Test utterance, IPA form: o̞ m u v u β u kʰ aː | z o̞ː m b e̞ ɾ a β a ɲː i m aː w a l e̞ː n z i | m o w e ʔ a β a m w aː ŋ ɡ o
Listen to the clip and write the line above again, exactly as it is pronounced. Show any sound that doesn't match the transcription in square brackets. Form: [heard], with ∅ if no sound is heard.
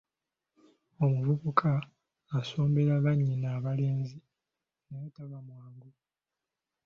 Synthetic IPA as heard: o̞ m u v u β u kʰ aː | [s] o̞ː m b e̞ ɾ a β a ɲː i [n] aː [β] a l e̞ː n z i | [n] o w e [t] a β a m w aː ŋ ɡ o